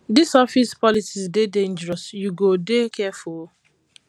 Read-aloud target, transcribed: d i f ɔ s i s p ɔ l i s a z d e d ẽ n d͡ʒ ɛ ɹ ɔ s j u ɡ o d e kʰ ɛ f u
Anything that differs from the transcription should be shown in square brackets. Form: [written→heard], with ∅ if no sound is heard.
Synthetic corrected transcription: d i [f→s] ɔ [s→f] i s p ɔ l i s [a→i] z d e d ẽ n d͡ʒ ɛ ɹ ɔ s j u ɡ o d e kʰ ɛ f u